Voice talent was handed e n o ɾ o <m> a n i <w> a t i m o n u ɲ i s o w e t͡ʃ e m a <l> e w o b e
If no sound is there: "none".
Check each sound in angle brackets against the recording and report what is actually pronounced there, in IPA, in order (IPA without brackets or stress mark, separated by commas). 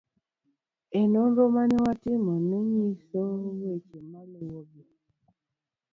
m, w, l